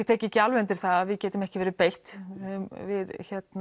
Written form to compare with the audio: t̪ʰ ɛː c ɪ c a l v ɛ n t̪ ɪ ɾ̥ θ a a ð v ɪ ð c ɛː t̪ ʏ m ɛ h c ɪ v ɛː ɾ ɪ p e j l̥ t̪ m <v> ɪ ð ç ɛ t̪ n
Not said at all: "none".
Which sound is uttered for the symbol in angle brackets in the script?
v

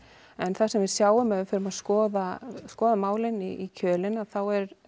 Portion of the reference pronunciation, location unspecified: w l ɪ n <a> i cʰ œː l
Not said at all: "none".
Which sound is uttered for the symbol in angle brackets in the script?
i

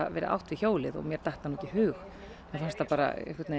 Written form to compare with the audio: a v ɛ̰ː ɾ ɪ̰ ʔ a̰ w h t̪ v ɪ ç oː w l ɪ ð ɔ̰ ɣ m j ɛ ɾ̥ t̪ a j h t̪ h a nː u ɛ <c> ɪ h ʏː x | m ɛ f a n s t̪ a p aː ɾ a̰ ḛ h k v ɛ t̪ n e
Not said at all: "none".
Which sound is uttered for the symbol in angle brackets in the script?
c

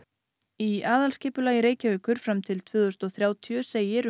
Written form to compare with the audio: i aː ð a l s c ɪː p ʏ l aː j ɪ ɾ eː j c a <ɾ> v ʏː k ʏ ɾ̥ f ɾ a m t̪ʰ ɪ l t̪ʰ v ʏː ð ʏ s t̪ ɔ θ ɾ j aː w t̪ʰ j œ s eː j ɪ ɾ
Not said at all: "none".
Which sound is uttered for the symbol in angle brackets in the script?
none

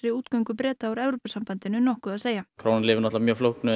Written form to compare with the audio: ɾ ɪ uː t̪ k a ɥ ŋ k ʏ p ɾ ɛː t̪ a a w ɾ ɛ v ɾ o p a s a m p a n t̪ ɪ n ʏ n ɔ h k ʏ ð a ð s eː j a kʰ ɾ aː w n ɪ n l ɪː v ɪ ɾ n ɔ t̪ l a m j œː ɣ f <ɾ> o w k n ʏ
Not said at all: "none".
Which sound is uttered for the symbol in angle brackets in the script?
l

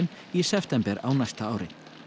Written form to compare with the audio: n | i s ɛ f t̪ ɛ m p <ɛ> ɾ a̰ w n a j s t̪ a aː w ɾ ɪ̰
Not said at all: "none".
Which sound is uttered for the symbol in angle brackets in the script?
ɛ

